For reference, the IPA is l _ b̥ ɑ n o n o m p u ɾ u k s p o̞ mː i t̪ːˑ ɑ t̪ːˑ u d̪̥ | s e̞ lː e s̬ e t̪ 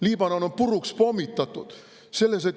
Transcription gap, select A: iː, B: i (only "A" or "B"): A